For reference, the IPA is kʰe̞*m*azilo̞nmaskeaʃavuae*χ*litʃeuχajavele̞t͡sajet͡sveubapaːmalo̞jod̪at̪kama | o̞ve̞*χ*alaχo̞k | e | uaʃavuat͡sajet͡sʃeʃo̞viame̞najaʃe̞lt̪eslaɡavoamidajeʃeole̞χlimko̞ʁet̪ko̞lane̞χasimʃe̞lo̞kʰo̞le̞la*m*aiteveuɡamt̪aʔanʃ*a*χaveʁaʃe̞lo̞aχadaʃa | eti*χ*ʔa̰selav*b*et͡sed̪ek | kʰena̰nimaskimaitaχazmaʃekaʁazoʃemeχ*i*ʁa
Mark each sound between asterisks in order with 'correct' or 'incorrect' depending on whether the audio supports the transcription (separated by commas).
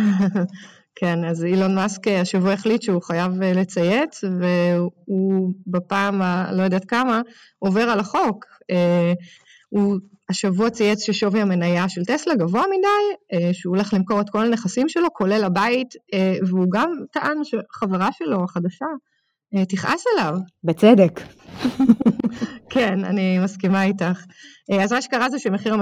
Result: incorrect, correct, incorrect, incorrect, incorrect, correct, correct, correct